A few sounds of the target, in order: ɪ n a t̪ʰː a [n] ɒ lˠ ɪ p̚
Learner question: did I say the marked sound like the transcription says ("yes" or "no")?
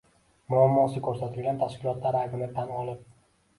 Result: yes